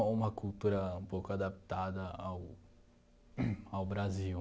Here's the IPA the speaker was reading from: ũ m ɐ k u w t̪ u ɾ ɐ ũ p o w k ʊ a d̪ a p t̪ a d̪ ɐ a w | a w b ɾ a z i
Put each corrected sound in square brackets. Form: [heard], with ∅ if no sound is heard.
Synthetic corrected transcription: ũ m ɐ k u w t̪ u ɾ ɐ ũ p o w k ʊ a d̪ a p t̪ a d̪ ɐ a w | a w b ɾ a z i